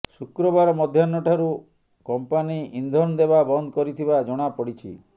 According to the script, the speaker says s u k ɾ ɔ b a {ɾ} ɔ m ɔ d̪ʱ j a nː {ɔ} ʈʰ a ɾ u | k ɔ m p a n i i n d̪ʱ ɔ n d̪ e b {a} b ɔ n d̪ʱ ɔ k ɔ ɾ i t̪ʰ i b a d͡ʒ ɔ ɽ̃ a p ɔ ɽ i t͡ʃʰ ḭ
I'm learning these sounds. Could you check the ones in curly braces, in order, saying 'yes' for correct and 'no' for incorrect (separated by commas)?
yes, yes, yes